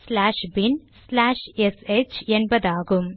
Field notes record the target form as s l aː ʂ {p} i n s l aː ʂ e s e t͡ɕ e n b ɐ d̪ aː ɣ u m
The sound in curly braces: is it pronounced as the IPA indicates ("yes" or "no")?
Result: no